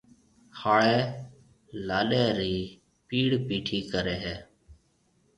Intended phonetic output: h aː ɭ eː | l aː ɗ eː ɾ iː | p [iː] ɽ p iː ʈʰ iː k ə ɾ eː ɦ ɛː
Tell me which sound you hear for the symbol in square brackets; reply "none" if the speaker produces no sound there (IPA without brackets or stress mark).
iː